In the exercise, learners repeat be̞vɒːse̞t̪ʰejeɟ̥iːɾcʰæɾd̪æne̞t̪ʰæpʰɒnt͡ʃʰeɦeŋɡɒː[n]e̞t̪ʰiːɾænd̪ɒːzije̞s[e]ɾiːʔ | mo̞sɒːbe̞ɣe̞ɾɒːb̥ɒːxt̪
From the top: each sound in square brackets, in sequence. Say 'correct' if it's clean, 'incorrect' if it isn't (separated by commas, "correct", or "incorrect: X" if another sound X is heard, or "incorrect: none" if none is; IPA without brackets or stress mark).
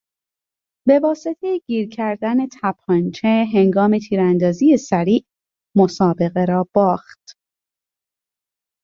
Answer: incorrect: m, incorrect: æ